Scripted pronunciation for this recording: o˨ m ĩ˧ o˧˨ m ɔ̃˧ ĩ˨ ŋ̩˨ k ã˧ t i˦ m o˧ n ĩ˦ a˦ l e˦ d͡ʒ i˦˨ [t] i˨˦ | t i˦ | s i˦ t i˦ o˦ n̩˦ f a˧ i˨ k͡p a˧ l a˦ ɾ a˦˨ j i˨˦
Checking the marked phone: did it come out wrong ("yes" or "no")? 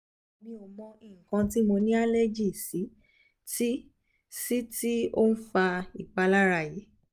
yes